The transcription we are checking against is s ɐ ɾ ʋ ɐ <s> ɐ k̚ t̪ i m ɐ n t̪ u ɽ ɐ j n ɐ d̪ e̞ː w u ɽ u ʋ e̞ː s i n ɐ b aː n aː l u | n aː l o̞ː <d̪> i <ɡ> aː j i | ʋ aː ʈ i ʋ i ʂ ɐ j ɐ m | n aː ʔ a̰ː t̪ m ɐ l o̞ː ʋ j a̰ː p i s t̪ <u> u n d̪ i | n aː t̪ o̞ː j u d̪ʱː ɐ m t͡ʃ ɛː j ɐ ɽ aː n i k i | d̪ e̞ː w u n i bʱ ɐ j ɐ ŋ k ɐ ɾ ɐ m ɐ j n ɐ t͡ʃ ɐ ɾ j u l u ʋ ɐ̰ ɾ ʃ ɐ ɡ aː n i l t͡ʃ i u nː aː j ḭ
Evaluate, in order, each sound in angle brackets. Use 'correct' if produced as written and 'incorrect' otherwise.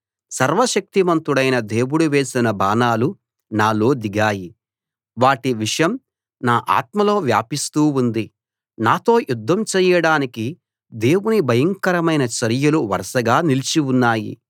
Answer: incorrect: ʃ, correct, correct, incorrect: uː

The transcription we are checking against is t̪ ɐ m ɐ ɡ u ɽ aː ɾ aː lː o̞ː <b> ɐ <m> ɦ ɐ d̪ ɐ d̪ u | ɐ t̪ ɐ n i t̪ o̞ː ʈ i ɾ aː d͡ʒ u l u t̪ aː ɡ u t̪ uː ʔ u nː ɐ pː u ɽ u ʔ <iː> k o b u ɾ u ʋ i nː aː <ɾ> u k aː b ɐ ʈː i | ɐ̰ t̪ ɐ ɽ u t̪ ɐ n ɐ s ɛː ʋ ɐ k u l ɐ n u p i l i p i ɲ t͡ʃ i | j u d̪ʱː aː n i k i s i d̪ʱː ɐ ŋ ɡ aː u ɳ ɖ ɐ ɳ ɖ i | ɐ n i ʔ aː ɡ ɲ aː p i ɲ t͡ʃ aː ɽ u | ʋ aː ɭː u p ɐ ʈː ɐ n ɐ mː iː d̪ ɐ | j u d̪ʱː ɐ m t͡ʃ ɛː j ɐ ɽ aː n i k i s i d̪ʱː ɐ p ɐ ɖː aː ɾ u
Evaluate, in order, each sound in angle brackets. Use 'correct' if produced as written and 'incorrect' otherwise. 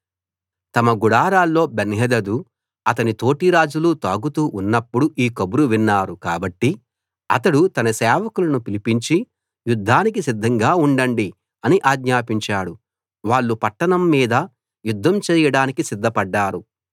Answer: correct, incorrect: n, correct, correct

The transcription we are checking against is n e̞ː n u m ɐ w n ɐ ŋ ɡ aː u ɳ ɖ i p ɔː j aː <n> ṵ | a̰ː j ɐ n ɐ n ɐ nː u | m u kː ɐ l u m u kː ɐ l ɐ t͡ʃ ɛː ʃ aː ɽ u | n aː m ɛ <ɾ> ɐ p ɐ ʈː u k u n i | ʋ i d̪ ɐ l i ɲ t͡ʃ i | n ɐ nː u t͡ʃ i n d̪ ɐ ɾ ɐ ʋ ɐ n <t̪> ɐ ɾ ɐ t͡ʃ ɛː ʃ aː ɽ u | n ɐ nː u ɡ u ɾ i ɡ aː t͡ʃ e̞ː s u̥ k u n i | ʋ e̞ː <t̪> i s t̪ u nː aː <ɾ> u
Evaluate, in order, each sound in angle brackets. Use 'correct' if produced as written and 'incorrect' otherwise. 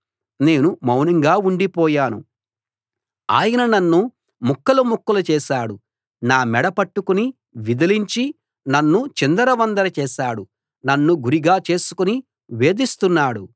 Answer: correct, incorrect: ɽ, incorrect: d̪, incorrect: d̪, incorrect: ɽ

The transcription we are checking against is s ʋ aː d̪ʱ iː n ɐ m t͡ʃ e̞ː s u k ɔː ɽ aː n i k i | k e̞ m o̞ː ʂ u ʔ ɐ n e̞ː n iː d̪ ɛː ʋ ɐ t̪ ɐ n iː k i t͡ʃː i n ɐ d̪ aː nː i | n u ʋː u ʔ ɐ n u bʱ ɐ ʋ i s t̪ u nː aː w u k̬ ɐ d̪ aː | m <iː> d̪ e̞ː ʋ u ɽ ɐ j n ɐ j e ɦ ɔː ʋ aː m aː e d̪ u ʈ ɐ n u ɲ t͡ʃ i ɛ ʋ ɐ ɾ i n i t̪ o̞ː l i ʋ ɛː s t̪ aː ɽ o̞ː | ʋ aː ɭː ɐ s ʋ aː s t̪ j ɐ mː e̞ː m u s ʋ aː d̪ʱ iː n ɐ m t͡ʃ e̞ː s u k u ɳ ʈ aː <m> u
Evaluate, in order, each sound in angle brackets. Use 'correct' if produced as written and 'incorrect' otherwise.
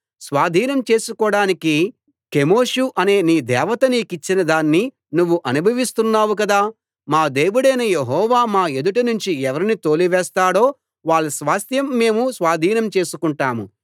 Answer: incorrect: aː, correct

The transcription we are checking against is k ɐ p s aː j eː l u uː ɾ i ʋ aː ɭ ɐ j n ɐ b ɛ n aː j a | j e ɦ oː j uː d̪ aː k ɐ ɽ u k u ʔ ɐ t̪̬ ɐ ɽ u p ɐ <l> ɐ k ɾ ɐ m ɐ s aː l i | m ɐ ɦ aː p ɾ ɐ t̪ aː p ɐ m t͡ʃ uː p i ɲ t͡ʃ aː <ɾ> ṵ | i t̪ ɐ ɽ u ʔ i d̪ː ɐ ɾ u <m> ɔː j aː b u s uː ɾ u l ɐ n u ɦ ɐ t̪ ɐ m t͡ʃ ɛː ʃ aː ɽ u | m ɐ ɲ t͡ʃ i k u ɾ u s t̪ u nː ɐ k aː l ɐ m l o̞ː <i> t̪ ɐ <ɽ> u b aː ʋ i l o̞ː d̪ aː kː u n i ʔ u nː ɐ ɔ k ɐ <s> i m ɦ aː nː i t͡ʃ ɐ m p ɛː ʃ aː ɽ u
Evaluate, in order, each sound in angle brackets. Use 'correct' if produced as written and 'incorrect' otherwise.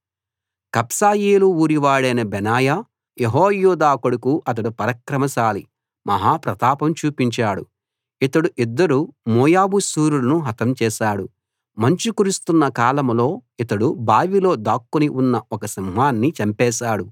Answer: incorrect: ɾ, incorrect: ɽ, correct, correct, correct, correct

